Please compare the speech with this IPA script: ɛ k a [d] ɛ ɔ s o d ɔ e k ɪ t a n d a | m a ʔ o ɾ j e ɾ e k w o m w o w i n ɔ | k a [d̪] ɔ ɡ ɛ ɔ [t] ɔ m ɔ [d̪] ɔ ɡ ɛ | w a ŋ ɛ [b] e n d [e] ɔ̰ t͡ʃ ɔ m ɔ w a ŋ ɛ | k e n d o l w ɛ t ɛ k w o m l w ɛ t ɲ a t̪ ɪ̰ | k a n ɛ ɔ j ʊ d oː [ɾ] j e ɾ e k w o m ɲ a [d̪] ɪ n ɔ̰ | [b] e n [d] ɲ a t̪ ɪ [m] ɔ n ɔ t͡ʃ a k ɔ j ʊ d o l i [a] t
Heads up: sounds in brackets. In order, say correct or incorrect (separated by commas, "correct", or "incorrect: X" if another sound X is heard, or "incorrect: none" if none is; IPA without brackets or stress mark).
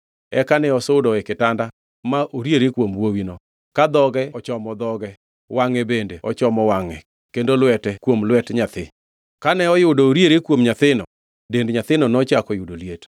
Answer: incorrect: n, correct, incorrect: t͡ʃ, correct, correct, correct, correct, incorrect: t̪, incorrect: d, correct, incorrect: n, incorrect: e